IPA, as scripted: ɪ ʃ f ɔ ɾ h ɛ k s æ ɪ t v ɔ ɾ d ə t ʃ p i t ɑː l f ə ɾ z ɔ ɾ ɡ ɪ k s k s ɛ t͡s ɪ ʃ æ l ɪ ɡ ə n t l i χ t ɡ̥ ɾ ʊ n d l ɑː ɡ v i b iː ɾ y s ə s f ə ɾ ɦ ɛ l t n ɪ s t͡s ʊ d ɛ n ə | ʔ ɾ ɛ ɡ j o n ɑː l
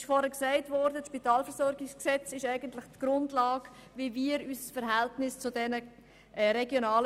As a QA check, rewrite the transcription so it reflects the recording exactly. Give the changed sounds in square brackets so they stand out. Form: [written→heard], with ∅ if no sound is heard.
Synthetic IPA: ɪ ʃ f ɔ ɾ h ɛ k s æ ɪ t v ɔ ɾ d ə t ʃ p i t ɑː l f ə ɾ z ɔ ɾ ɡ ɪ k s k s ɛ t͡s ɪ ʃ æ [l→∅] ɪ ɡ ə n t l [i→ɪ] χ t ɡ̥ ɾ ʊ n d l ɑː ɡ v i [b→v] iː ɾ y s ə s f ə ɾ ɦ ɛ l t n ɪ s t͡s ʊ d ɛ n ə | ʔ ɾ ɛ ɡ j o n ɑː l